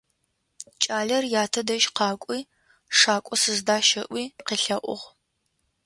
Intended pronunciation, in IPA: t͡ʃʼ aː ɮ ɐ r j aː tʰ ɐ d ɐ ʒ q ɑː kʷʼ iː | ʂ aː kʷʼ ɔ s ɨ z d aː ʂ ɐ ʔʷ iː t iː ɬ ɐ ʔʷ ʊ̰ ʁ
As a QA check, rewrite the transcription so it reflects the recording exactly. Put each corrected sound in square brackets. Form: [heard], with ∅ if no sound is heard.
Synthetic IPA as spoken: t͡ʃʼ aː ɮ ɐ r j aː tʰ ɐ d ɐ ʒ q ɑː kʷʼ iː | ʂ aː kʷʼ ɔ s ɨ z d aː [ʃ] ɐ ʔʷ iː [q] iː ɬ ɐ ʔʷ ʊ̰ ʁ